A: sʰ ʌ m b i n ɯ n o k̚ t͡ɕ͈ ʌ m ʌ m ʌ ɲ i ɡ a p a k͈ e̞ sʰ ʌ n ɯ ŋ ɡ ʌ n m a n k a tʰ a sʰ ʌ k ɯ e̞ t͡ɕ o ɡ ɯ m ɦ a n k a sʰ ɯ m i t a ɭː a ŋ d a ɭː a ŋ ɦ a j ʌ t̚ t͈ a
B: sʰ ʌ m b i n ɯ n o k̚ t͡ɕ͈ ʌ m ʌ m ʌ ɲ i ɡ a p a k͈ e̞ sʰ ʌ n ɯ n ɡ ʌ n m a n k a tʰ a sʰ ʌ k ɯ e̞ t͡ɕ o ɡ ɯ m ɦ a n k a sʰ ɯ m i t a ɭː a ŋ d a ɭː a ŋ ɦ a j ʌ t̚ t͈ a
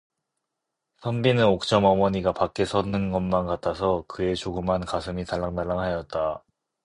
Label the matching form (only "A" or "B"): B